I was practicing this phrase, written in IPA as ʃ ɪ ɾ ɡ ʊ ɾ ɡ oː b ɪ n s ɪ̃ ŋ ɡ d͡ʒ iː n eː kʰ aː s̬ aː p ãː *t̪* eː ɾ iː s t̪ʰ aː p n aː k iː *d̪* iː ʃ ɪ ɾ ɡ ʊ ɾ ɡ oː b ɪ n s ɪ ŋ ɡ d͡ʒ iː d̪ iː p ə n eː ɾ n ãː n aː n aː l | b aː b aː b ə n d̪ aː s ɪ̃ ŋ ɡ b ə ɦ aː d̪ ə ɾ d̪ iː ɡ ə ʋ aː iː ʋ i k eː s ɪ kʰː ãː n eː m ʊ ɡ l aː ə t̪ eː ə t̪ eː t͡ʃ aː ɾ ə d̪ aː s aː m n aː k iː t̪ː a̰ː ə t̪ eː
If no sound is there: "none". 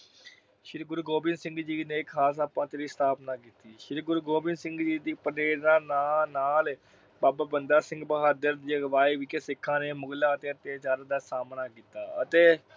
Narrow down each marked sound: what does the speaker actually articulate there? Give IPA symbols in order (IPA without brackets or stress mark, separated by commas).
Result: t̪, t̪